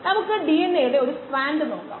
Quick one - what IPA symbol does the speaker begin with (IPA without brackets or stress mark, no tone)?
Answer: n